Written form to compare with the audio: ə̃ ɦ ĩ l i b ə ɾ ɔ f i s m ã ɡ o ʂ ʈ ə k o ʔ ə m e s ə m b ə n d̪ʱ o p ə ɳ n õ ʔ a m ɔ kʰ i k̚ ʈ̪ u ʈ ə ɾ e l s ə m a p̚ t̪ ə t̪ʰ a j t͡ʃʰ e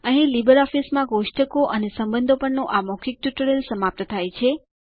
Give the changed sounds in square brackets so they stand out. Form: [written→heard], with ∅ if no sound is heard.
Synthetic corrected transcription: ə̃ ɦ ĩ l i b ə ɾ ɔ f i s m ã ɡ o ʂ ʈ ə k o ʔ ə [m→n] e s ə m b ə n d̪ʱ o p ə ɳ n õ ʔ a m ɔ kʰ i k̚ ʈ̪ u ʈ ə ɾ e l s ə m a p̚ t̪ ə t̪ʰ a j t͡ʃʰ e